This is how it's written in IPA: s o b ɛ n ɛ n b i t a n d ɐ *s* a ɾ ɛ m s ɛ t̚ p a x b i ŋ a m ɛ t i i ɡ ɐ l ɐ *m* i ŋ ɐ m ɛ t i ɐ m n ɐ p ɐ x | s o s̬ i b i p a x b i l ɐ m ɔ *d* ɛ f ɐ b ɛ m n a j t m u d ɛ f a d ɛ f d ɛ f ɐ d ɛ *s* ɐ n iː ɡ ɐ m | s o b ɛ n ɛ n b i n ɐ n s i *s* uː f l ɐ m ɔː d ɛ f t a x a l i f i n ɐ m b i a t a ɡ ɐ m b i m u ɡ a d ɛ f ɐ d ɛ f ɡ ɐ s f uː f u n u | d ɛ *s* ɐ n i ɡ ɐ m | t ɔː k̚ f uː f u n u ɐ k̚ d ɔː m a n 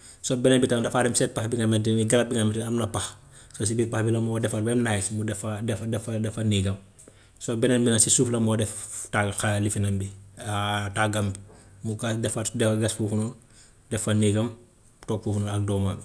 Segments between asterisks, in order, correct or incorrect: incorrect: f, incorrect: b, correct, incorrect: f, correct, incorrect: f

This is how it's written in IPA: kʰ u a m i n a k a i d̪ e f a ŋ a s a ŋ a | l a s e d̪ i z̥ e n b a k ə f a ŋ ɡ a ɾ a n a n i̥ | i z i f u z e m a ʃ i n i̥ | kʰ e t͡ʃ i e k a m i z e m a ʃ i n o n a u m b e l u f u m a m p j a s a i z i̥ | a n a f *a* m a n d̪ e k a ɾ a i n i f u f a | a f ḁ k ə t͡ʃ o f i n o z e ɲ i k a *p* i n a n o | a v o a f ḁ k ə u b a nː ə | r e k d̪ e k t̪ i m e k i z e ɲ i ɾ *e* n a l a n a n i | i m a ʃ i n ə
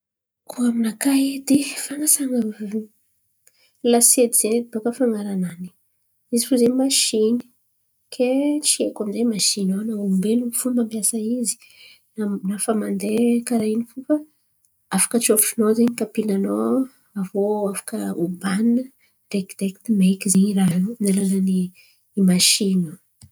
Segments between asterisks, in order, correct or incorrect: correct, correct, incorrect: a

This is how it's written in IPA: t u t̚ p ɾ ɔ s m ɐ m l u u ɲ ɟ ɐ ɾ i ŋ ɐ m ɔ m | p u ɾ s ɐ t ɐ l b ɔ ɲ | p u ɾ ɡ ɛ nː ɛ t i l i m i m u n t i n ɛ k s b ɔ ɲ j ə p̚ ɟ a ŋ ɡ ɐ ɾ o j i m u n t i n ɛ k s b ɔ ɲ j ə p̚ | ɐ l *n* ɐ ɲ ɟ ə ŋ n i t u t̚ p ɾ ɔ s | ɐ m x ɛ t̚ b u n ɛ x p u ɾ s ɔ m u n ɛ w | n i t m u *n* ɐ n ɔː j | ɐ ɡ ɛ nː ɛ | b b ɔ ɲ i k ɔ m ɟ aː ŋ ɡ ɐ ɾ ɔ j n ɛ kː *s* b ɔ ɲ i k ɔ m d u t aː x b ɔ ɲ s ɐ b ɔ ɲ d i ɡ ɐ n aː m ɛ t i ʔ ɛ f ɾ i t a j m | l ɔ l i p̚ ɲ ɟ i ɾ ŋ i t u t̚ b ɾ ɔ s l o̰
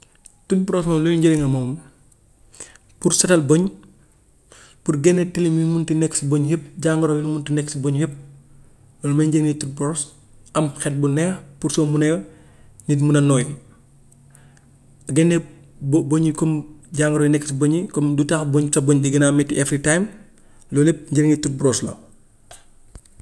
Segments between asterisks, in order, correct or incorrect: incorrect: m, correct, correct

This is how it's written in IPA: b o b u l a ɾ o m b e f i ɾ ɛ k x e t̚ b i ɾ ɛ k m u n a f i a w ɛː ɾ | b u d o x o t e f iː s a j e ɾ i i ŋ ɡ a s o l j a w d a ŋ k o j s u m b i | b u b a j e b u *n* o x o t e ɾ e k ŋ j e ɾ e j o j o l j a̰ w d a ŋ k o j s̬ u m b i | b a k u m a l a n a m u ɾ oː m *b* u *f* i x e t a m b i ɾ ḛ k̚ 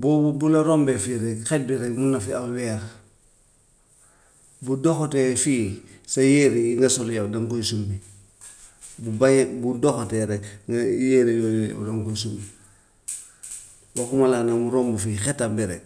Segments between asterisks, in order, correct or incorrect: incorrect: d, correct, correct

